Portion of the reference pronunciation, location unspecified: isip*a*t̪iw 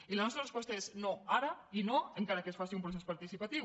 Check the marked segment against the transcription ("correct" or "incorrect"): correct